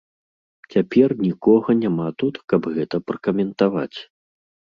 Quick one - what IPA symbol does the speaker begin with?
t͡sʲ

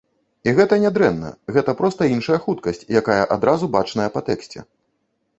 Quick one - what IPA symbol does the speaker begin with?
i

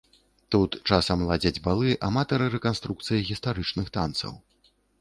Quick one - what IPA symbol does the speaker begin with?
t̪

